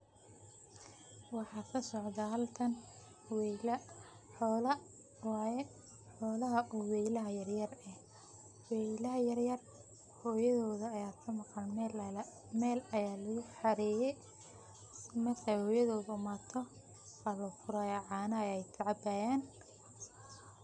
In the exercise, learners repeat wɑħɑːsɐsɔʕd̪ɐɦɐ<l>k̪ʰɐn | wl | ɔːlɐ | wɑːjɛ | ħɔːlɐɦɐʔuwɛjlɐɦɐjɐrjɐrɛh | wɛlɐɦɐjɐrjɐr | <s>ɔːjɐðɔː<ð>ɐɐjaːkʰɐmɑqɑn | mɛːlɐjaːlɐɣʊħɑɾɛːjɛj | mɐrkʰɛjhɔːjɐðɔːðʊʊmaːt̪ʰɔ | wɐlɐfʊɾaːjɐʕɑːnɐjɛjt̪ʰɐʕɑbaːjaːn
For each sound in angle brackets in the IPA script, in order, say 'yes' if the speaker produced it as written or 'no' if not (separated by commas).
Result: yes, no, yes